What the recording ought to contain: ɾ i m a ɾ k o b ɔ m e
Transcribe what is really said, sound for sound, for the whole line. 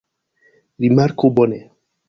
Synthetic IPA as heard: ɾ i m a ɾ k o b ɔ n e